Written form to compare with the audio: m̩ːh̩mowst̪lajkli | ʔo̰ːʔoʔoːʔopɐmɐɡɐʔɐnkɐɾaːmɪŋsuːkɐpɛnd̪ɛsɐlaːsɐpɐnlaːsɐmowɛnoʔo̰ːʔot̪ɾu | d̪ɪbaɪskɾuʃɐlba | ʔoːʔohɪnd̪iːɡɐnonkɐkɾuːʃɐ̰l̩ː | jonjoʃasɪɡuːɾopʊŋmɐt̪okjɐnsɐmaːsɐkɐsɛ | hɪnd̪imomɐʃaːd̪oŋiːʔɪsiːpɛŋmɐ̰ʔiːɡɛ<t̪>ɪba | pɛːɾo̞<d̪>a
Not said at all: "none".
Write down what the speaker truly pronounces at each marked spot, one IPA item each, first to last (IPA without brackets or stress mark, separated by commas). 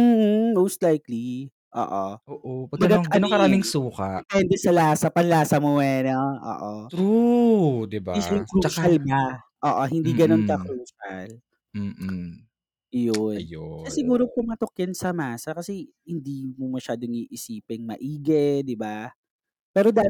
d̪, d̪